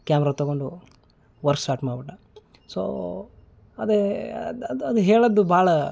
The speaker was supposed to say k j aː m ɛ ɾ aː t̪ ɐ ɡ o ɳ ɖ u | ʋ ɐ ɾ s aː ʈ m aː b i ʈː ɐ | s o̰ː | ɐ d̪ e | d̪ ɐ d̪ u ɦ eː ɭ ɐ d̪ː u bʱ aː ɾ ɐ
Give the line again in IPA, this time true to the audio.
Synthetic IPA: k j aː m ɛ ɾ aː t̪ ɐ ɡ o ɳ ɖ u | ʋ ɐ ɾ s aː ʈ m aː b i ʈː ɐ | s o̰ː | ɐ d̪ e | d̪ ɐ d̪ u ɦ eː ɭ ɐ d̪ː u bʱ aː ɭ ɐ